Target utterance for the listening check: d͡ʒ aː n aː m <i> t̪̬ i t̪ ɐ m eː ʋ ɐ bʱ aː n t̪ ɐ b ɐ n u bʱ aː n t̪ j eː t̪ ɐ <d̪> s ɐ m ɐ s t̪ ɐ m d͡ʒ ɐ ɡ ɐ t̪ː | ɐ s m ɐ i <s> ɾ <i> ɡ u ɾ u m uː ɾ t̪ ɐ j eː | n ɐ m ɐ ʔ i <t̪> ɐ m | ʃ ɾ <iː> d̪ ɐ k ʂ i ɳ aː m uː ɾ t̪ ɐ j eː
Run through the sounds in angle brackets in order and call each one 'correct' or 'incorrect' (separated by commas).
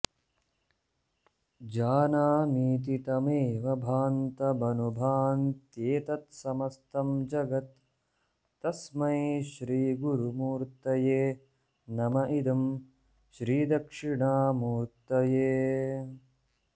incorrect, incorrect, incorrect, incorrect, incorrect, correct